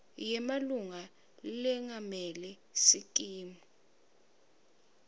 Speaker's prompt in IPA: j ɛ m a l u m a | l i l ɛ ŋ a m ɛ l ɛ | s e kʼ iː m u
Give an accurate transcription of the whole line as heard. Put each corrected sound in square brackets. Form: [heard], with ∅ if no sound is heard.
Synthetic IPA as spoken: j ɛ m a l u [ŋ] a | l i l ɛ ŋ a m ɛ l ɛ | s [i] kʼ iː m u